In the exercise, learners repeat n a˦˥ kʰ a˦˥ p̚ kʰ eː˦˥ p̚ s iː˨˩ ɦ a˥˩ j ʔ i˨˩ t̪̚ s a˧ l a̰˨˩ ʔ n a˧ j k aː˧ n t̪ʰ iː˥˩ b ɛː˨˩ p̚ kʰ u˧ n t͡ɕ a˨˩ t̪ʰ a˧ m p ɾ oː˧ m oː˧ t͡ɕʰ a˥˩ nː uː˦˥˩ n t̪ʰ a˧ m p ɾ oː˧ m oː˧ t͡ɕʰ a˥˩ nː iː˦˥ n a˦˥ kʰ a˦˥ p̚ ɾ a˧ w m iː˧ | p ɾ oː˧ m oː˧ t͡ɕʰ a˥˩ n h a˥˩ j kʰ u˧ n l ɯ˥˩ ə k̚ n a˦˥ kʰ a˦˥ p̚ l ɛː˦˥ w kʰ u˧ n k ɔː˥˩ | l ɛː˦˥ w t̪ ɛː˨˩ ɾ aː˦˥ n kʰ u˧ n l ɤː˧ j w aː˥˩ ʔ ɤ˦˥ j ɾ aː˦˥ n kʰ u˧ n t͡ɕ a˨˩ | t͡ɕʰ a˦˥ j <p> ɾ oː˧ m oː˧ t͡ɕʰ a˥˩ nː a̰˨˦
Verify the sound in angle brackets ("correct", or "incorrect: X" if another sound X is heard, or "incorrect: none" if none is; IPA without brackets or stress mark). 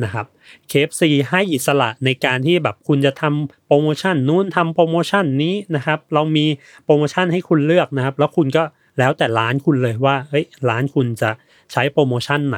correct